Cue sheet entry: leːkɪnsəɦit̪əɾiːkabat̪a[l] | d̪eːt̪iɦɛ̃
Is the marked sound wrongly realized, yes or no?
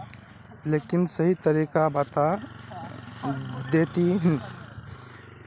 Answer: yes